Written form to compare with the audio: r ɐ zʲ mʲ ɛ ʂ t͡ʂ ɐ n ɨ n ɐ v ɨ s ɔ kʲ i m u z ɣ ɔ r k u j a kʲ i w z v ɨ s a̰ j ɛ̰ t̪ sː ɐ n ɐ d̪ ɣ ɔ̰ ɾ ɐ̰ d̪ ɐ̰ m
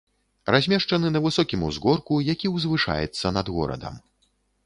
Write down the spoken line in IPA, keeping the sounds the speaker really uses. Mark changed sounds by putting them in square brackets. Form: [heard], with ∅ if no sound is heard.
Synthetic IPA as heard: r [a] zʲ mʲ ɛ ʂ t͡ʂ ɐ n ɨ n ɐ v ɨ s ɔ kʲ i m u z ɣ ɔ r k u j a kʲ i w z v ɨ [ʂ] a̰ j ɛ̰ t̪ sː ɐ n ɐ d̪ ɣ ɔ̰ ɾ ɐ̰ d̪ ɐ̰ m